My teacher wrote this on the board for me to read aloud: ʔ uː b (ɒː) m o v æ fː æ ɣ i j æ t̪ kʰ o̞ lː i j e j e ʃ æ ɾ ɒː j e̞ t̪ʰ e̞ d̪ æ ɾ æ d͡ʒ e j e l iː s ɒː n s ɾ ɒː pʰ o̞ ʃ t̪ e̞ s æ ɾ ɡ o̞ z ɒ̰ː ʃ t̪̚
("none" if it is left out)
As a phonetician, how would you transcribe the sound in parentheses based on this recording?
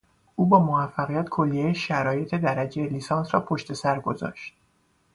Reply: ɒː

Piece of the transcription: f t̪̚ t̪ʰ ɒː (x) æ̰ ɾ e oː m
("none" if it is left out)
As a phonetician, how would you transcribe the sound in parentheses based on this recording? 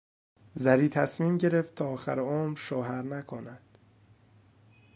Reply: x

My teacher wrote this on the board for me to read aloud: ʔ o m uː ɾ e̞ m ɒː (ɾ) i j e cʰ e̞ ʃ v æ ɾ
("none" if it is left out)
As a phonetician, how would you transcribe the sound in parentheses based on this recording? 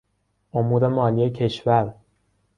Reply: l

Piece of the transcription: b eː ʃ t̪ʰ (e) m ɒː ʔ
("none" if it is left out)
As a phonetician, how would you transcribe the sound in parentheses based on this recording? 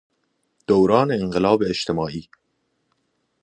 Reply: e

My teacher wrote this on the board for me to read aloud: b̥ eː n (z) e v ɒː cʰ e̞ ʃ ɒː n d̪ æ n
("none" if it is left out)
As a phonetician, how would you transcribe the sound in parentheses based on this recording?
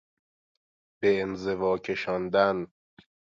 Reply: z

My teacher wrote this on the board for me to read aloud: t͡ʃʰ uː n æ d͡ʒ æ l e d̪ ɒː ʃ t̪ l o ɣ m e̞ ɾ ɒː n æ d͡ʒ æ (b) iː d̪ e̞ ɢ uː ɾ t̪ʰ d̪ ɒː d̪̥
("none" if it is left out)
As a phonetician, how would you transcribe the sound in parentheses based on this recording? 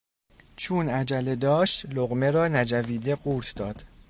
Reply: v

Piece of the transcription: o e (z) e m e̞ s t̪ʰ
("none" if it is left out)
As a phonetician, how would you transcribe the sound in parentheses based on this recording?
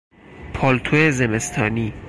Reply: z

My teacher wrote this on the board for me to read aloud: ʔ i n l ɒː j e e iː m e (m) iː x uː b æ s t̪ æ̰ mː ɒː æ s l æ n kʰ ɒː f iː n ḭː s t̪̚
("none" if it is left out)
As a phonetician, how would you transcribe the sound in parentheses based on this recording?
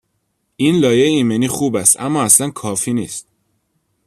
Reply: n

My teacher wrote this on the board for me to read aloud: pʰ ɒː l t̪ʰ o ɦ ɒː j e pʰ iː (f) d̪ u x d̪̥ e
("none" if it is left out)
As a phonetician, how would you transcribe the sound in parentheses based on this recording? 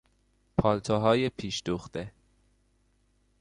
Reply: ʃ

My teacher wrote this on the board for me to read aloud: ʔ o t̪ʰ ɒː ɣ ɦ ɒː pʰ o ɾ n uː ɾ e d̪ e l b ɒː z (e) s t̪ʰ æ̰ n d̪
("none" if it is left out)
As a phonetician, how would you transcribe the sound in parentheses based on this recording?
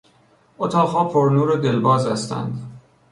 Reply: æ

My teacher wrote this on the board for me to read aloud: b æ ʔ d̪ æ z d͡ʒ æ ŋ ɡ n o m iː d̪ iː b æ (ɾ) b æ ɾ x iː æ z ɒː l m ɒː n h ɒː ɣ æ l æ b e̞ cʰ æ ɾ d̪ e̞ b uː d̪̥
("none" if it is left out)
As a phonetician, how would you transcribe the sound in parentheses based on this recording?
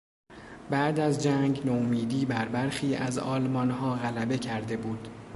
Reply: ɾ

